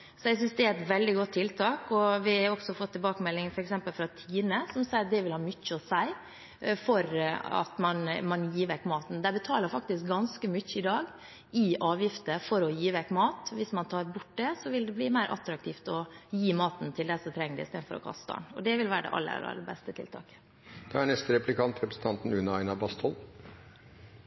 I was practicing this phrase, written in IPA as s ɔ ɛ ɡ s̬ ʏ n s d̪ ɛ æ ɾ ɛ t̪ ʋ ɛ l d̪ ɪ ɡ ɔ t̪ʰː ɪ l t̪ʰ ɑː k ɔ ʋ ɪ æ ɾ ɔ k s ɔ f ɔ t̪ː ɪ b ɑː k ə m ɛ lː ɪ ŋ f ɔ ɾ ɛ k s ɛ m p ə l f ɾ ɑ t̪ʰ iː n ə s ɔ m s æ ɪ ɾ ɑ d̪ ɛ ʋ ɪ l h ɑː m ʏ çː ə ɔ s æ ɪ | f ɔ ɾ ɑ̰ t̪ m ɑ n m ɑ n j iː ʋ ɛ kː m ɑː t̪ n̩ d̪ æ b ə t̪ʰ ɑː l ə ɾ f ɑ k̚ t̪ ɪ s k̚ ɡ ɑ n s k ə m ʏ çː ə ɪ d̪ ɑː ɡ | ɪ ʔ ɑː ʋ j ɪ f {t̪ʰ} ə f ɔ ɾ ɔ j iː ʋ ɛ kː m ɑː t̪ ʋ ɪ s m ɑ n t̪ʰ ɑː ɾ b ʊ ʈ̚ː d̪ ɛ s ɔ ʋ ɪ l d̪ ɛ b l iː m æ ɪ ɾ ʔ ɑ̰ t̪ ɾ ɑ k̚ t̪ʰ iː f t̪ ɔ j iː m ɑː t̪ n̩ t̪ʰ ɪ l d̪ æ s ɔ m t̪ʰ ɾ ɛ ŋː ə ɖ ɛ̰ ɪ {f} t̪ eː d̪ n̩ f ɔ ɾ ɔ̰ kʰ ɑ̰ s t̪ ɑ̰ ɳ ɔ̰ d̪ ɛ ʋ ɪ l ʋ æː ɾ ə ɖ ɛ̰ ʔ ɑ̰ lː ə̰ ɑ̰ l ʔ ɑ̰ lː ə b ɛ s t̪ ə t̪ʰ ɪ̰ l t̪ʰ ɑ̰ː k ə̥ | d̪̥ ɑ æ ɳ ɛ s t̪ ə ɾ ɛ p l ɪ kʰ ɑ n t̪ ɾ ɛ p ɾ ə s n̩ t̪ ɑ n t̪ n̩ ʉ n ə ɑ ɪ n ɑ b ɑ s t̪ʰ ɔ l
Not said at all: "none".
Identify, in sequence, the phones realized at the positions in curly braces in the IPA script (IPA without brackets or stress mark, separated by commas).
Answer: t̪, s